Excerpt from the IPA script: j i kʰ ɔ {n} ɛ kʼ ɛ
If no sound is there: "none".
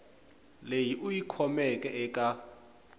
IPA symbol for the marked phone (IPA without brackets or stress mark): m